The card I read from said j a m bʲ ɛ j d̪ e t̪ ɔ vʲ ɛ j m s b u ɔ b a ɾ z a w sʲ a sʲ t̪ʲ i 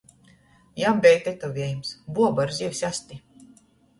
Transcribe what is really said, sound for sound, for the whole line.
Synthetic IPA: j a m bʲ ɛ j t̪ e t̪ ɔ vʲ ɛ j m s b u ɔ b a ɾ z i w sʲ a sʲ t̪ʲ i

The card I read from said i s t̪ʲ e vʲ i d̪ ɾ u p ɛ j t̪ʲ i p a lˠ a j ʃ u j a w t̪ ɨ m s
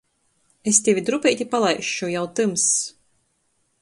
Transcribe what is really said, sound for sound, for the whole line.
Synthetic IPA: e s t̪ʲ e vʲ i d̪ ɾ u p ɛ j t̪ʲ i p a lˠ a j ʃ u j a w t̪ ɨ m s

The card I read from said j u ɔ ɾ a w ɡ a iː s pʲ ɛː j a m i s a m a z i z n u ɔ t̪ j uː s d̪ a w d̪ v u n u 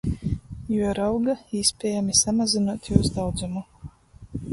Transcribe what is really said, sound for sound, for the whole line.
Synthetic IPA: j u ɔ ɾ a w ɡ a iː s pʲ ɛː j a m i s a m a z i n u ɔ t̪ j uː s d̪ a w d̪ z u m u

